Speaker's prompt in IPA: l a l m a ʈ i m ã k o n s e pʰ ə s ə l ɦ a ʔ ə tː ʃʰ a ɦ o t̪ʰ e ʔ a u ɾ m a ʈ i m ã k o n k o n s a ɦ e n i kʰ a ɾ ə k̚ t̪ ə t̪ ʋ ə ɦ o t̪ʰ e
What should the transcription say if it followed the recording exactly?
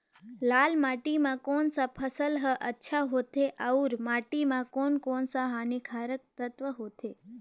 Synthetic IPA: l a l m a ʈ i m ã k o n s a pʰ ə s ə l ɦ ə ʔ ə tː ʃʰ a ɦ o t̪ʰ e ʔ a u ɾ m a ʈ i m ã k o n k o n s a ɦ a n i kʰ a ɾ ə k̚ t̪ ə t̪ ʋ ə ɦ o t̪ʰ e